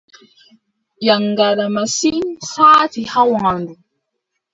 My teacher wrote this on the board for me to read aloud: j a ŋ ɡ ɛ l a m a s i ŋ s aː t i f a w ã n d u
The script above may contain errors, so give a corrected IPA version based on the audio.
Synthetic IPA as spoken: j a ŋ ɡ a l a m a s i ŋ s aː t i h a w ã n d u